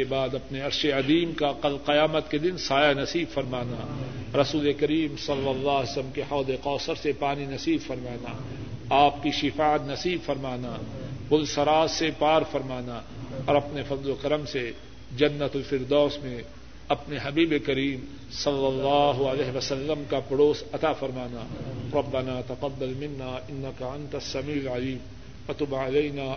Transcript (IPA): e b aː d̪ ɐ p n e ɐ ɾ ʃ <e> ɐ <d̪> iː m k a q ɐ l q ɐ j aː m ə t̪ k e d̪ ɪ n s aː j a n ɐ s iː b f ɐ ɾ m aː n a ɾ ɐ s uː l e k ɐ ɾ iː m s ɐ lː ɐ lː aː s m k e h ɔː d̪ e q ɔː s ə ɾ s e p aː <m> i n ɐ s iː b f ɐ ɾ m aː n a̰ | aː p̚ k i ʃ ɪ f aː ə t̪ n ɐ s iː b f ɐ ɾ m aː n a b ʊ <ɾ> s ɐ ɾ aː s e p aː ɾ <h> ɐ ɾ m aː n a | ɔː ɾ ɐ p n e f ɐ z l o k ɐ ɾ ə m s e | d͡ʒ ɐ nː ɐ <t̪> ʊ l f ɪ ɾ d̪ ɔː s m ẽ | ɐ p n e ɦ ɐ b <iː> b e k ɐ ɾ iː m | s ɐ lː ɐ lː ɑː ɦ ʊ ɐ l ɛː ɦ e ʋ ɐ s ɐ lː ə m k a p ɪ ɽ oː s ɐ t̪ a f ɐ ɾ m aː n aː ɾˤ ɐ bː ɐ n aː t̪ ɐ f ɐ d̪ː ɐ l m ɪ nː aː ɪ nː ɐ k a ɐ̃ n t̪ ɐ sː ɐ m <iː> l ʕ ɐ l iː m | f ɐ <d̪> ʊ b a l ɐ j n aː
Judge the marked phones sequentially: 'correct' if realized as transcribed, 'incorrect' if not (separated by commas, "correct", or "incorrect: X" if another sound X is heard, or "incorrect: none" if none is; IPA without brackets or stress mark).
correct, correct, incorrect: n, incorrect: l, incorrect: f, correct, correct, correct, incorrect: t̪